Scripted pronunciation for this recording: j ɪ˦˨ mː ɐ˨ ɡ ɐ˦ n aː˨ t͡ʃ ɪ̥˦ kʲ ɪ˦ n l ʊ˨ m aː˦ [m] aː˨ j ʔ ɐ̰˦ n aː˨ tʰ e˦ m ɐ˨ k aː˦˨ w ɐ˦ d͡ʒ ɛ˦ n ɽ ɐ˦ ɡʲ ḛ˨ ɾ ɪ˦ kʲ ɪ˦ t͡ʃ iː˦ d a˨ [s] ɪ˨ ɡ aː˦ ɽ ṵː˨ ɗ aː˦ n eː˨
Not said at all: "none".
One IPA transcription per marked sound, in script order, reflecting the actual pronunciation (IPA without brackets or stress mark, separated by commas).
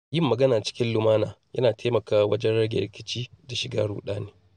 n, ʃ